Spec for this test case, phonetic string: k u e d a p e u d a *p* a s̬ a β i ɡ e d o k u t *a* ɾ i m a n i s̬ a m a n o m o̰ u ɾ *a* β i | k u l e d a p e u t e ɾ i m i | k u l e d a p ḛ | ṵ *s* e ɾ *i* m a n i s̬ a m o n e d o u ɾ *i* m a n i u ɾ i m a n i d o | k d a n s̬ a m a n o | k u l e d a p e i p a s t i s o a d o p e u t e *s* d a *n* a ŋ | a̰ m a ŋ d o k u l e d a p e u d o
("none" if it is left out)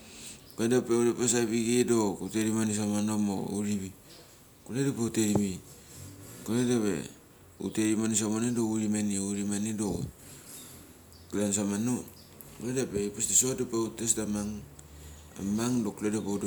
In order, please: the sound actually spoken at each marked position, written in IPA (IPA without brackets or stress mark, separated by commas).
p, e, i, t, i, i, s, m